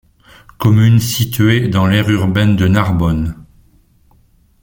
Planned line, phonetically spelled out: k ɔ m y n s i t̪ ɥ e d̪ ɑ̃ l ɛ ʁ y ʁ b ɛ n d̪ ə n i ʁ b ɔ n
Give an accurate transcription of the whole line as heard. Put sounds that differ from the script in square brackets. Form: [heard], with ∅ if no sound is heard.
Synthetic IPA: k ɔ m y n s i t̪ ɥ e d̪ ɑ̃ l ɛ ʁ y ʁ b ɛ n d̪ ə n [a] ʁ b ɔ n